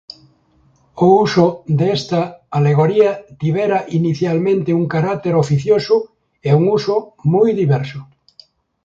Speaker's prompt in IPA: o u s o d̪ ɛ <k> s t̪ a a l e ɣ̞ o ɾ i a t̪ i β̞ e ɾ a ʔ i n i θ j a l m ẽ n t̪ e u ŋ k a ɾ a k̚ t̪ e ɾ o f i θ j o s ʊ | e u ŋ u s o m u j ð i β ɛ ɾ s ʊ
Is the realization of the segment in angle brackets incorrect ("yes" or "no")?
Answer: yes